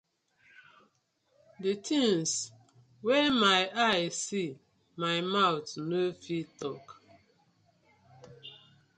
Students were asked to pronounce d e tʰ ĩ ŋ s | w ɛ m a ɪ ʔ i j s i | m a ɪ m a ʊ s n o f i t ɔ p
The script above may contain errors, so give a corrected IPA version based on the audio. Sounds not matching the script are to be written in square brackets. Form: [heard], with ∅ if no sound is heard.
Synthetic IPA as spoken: d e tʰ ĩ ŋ s | w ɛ m a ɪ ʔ [a] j s i | m a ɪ m a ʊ [t] n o f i t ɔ [k]